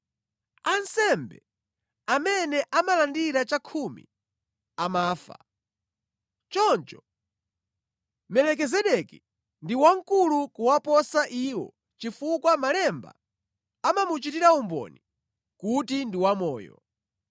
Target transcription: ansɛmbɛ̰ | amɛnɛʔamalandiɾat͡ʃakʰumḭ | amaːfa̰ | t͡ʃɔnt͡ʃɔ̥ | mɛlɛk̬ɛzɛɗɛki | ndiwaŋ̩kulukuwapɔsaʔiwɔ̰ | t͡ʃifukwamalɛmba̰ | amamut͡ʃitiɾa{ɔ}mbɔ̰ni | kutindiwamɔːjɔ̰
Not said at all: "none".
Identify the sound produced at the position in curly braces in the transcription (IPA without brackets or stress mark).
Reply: u